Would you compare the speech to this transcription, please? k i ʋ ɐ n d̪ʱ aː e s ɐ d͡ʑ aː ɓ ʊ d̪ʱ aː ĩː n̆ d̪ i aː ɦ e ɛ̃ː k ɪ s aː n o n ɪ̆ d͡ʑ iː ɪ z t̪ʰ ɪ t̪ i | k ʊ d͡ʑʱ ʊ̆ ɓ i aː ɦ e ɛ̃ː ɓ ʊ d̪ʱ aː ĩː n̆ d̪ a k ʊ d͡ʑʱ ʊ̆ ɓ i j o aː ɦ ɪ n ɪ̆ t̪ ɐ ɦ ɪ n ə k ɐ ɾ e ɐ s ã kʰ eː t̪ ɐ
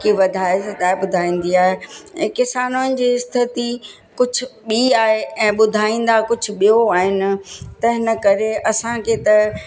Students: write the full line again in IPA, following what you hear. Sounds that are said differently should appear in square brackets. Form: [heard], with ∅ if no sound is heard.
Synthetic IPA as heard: k i ʋ ɐ [∅] d̪ʱ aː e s ɐ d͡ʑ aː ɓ ʊ d̪ʱ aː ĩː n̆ d̪ i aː ɦ e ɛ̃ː k ɪ s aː n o n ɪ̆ d͡ʑ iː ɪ [s] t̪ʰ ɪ t̪ i | k ʊ d͡ʑʱ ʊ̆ ɓ i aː ɦ e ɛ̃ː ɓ ʊ d̪ʱ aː ĩː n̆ d̪ a k ʊ d͡ʑʱ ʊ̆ ɓ i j o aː ɦ ɪ n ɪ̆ t̪ ɐ ɦ ɪ n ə k ɐ ɾ e ɐ s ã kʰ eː t̪ ɐ